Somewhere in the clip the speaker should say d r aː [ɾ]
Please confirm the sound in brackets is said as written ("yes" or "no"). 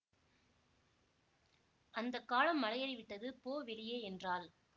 no